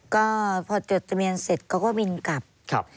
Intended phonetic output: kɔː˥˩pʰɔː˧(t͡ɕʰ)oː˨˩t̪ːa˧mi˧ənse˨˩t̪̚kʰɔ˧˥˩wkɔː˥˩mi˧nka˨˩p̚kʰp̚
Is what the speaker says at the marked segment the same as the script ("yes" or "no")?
no